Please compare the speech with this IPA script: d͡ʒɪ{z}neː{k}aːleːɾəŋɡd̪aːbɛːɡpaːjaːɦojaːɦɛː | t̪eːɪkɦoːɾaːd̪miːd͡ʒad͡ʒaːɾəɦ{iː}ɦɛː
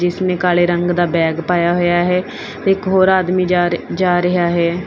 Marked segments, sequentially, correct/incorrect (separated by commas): incorrect, correct, incorrect